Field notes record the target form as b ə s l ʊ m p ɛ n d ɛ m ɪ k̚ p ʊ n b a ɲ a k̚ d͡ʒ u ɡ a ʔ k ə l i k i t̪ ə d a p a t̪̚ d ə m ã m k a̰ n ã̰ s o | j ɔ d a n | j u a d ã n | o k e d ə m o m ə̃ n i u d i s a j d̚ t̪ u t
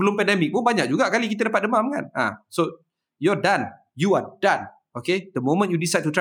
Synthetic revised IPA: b ə l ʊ m p ɛ n d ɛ m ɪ k̚ p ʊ n b a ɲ a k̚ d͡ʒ u ɡ a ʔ k a l i k i t̪ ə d a p a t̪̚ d ə m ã m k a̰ n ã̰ s o | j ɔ d a n | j u a d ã n | o k e d ə m o m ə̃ n j u d i s a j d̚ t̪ u t